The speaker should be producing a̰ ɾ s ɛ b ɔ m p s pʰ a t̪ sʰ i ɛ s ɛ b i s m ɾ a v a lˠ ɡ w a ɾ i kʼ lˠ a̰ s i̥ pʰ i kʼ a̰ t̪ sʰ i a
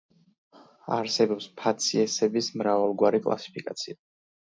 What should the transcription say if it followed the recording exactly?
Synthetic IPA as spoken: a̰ ɾ s ɛ b ɔ p s pʰ a t̪ sʰ i ɛ s ɛ b i s m ɾ a v a lˠ ɡ w a ɾ i kʼ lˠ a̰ s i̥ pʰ i kʼ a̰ t̪ sʰ i a